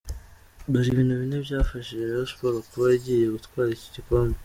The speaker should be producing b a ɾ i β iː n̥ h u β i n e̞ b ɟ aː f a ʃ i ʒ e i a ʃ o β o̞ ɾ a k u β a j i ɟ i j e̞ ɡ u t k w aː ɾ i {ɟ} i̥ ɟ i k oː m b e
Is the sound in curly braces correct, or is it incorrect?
incorrect: c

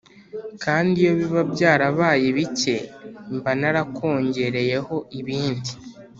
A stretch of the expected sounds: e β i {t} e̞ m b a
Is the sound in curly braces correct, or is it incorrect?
incorrect: c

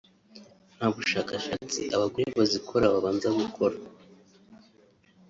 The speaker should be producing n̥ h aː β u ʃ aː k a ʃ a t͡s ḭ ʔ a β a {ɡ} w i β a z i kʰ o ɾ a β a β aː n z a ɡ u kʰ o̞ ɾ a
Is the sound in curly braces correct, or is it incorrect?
correct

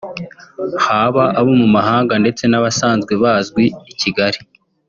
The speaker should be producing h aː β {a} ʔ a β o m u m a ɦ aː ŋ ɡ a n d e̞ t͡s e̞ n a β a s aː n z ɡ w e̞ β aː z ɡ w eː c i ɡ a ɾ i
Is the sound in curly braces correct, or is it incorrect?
correct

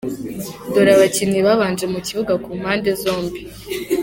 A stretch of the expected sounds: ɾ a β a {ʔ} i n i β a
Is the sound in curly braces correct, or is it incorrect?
incorrect: c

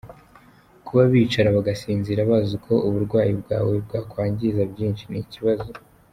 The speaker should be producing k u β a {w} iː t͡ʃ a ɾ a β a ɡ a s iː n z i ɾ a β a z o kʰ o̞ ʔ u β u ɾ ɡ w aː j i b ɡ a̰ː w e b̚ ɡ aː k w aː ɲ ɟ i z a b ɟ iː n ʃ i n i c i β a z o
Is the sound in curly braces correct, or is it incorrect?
incorrect: β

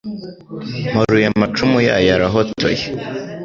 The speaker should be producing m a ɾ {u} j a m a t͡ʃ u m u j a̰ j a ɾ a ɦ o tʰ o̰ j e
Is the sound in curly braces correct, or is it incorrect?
correct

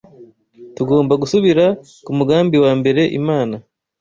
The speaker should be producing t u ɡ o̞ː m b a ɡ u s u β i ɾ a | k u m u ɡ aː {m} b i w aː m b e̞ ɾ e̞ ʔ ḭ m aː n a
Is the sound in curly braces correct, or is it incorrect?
correct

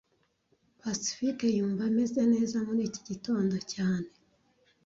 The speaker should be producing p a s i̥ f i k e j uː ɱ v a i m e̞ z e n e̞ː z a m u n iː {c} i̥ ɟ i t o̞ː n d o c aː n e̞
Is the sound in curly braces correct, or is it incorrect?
correct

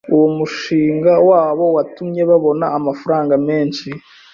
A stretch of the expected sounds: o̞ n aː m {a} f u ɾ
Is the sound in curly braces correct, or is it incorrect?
correct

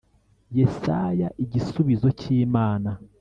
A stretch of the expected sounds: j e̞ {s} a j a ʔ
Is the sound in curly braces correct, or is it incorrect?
correct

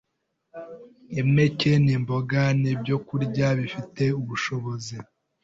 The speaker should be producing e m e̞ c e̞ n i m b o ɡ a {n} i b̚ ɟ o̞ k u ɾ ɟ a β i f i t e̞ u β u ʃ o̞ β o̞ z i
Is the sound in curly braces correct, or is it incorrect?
correct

